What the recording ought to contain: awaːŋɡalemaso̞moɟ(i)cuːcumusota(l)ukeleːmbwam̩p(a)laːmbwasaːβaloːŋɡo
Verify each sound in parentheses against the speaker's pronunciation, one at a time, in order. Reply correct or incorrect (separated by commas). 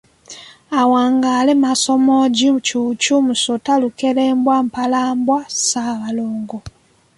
correct, correct, correct